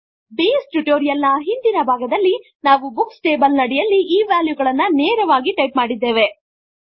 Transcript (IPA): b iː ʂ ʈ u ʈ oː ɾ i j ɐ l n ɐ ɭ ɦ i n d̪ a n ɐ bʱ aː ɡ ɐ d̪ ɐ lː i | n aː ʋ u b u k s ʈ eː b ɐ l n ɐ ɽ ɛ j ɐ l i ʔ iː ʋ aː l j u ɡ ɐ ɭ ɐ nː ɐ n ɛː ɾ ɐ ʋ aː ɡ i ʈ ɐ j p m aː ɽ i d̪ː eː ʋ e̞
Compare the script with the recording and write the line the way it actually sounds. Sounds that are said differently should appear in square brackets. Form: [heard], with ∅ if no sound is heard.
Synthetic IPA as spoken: b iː [s] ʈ u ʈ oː ɾ i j ɐ l n ɐ [∅] ɦ i n d̪ [i] n ɐ bʱ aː ɡ ɐ d̪ ɐ lː i | n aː ʋ u b u k s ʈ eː b ɐ l n ɐ ɽ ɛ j ɐ [lː] i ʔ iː ʋ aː l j u ɡ ɐ ɭ ɐ nː ɐ n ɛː ɾ ɐ ʋ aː ɡ i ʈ ɐ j p m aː ɽ i d̪ː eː ʋ e̞